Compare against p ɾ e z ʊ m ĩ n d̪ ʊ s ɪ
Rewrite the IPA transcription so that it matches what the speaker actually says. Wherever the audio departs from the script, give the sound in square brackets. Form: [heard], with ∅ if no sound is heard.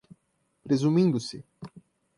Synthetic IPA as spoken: p ɾ e z [u] m ĩ n d̪ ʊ s ɪ